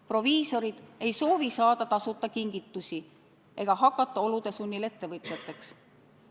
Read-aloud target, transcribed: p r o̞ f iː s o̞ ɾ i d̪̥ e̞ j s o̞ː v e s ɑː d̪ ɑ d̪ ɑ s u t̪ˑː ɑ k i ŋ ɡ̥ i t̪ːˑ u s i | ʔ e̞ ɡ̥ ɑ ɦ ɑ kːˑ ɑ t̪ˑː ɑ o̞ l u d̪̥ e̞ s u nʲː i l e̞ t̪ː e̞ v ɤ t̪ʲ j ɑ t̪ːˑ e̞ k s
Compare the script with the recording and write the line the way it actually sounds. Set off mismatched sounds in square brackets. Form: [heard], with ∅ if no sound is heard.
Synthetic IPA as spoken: p r o̞ [v] iː s o̞ ɾ i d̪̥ e̞ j s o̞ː v [i] s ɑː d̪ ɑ [t̪] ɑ s u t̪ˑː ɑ k i ŋ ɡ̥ i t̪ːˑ u s i | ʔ e̞ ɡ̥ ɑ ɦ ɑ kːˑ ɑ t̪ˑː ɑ o̞ l u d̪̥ e̞ s u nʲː i l e̞ t̪ː e̞ v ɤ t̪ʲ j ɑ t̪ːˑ e̞ k s

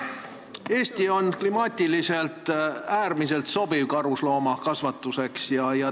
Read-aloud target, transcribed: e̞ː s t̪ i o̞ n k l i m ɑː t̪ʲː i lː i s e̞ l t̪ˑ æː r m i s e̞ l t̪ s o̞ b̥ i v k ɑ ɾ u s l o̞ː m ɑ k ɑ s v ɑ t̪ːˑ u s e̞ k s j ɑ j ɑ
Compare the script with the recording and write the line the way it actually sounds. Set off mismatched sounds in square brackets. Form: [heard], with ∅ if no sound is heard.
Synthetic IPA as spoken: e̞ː s t̪ i o̞ n k l i m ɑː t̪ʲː i [l] i s e̞ l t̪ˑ æː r m i s e̞ l t̪ s o̞ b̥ i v k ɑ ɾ u s l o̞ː m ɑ k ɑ s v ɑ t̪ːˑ u s e̞ k s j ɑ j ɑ

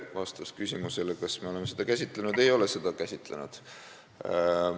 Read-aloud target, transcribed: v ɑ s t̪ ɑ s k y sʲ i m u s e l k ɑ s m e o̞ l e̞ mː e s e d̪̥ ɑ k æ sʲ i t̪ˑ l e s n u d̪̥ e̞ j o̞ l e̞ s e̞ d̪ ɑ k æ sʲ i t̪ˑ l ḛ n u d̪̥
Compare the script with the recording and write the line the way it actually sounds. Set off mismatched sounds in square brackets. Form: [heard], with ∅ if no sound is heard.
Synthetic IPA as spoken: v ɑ s t̪ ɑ s k y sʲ i m u s e l k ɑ s m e o̞ l e̞ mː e s e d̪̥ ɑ k æ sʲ i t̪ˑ l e [∅] n u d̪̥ e̞ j o̞ l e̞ s e̞ d̪ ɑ k æ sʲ i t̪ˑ l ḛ n u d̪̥

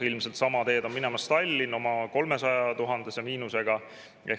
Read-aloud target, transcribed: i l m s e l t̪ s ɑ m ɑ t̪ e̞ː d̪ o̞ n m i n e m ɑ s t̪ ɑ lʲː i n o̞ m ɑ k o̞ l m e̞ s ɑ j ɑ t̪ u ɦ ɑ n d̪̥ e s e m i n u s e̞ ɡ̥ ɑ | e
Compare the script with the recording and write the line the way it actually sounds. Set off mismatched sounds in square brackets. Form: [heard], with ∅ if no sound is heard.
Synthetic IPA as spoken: i l m s e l t̪ s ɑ m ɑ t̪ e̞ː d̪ o̞ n m i n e m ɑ s t̪ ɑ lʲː i n o̞ m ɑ k o̞ l m e̞ s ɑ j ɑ t̪ u ɦ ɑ n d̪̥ e s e m [iː] n u s e̞ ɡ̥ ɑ | e

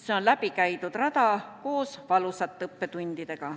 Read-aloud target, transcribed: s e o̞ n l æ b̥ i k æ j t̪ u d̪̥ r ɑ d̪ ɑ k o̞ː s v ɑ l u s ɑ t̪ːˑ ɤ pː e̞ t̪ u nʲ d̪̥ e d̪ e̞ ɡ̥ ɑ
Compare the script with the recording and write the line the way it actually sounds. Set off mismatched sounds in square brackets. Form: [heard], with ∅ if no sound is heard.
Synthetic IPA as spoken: s e o̞ n l æ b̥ i k æ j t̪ u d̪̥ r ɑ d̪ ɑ k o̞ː s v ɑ l u s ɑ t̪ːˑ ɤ pː e̞ t̪ u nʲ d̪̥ [i] d̪ e̞ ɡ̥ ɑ

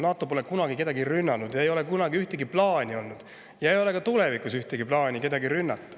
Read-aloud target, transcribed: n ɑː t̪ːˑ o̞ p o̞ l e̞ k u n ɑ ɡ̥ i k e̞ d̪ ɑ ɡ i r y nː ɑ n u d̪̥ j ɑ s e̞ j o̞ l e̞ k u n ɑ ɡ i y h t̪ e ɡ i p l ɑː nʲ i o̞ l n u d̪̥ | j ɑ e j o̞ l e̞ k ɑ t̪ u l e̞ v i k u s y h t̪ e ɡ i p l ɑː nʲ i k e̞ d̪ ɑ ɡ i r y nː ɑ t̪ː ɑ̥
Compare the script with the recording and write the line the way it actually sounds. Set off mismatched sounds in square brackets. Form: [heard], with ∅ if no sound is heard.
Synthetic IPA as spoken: n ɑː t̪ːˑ o̞ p o̞ l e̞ k u n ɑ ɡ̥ i k e̞ d̪ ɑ ɡ i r y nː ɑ n u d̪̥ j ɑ [∅] e̞ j o̞ l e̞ k u n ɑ ɡ i y h t̪ e ɡ i p l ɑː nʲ i o̞ l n u d̪̥ | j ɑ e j o̞ l e̞ k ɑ t̪ u l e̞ v i k u s y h t̪ e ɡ i p l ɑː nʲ i k e̞ d̪ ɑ ɡ i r y nː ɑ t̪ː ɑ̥

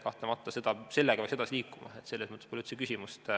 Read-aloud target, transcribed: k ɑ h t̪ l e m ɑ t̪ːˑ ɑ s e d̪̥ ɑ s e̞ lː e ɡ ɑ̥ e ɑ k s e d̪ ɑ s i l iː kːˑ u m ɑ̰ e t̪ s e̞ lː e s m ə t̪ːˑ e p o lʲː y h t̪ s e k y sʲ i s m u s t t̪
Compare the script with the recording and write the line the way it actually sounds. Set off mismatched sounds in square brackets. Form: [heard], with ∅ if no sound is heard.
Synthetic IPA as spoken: k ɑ h t̪ l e m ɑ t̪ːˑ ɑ s e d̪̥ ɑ s e̞ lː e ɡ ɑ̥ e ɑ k s e d̪ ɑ s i l iː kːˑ u m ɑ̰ e t̪ s e̞ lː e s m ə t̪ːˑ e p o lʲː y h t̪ s e k y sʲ i [∅] m u s t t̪

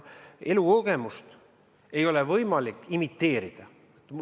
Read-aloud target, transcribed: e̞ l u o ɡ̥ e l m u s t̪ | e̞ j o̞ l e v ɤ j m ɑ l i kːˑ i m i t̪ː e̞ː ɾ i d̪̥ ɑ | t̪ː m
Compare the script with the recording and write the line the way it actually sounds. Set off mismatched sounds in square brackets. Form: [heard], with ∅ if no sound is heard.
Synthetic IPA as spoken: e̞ l u o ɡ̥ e [∅] m u s t̪ | e̞ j o̞ l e v ɤ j m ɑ l i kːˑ i m i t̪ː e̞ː ɾ i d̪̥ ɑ | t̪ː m

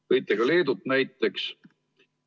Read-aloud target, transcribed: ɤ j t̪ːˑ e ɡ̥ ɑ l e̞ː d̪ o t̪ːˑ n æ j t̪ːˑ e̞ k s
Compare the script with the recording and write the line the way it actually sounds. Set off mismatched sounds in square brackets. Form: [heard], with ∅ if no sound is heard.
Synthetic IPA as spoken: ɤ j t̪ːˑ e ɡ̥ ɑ l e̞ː d̪ [u] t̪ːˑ n æ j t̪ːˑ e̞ k s

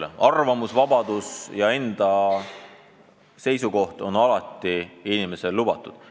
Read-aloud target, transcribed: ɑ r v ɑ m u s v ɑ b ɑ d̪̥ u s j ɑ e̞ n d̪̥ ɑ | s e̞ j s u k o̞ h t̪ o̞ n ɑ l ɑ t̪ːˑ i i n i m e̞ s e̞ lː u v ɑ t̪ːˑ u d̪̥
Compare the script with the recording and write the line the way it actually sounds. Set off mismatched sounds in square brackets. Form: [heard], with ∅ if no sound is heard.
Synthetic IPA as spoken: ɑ r v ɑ m u s v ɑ b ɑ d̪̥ u s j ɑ e̞ n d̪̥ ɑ | s e̞ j s u k o̞ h t̪ o̞ n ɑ l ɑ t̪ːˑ i i n i m e̞ s e̞ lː u [b] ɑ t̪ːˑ u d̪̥

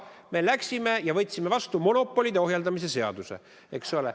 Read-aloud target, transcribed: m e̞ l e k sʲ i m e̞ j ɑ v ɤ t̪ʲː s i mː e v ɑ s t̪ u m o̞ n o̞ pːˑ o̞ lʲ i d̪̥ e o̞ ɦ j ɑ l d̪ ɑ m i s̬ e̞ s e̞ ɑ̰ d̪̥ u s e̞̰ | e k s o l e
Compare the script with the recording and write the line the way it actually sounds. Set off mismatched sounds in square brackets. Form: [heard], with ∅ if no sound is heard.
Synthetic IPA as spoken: m e̞ l [æ] k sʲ i m e̞ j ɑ v ɤ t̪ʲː s i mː e v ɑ s t̪ u m o̞ n o̞ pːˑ o̞ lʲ i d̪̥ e o̞ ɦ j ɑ l d̪ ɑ m i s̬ e̞ s e̞ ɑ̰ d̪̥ u s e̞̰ | e k s o l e

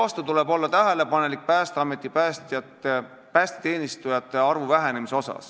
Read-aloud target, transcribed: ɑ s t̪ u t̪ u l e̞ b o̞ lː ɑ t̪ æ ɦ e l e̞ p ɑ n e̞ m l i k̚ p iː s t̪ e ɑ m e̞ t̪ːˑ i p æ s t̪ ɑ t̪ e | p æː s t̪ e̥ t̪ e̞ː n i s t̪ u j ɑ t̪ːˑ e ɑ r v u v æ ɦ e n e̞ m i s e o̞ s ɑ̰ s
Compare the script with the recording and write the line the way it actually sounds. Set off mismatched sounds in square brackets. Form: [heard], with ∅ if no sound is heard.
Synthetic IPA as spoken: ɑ s t̪ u t̪ u l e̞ b o̞ lː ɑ t̪ æ ɦ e l e̞ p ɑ n e̞ [∅] l i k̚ p [æː] s t̪ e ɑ m e̞ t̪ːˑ i p æ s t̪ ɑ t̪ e | p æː s t̪ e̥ t̪ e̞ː n i s t̪ u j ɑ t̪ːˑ e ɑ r v u v æ ɦ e n e̞ m i s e o̞ s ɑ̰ s

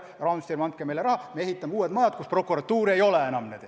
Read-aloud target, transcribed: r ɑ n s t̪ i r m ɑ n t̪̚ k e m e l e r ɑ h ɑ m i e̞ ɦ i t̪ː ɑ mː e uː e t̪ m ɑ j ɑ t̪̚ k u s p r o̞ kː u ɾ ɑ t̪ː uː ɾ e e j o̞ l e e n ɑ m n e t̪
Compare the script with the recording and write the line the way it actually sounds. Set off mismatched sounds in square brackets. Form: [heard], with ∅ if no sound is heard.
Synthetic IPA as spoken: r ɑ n s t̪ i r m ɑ n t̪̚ k e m e l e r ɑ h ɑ m [e] e̞ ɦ i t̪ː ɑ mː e uː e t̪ m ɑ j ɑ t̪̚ k u s p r o̞ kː u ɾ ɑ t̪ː uː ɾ [i] e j o̞ l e e n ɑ m n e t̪

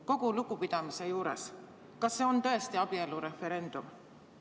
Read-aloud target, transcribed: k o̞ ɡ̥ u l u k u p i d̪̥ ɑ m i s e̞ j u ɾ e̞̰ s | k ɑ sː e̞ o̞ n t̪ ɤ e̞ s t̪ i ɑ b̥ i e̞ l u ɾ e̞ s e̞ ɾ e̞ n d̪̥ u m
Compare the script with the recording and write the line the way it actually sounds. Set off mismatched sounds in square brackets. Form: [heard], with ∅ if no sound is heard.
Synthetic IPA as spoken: k o̞ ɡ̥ u l u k u p i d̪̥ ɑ m i s e̞ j [uː] ɾ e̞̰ s | k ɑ sː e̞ o̞ n t̪ ɤ e̞ s t̪ i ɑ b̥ i e̞ l u ɾ e̞ [f] e̞ ɾ e̞ n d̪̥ u m

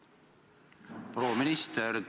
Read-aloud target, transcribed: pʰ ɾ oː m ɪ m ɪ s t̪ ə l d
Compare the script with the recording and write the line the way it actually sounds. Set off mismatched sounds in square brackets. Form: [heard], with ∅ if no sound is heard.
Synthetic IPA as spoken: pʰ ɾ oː m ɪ [n] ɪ s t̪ ə [ɾ] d

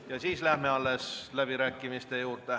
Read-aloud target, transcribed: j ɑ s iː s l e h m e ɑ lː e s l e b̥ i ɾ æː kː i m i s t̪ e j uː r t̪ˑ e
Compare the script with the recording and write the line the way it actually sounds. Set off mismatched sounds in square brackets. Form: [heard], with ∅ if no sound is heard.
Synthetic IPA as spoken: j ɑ s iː s l [æ] h m e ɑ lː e s l [æ] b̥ i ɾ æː kː i m i s t̪ e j uː r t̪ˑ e

